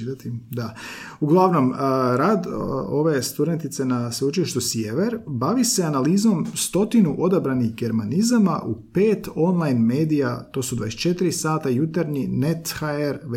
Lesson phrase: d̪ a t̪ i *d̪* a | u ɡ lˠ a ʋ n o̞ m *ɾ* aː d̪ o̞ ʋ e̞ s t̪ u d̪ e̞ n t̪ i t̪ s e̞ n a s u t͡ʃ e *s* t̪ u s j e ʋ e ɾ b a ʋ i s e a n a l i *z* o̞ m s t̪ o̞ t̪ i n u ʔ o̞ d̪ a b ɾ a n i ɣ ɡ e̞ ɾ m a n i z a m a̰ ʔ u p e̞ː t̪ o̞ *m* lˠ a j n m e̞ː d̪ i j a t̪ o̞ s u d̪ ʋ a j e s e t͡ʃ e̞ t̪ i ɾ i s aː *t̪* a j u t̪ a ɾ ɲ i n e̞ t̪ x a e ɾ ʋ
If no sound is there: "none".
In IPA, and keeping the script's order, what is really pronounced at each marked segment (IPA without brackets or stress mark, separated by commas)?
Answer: d̪, ɾ, ʃ, z, n, t̪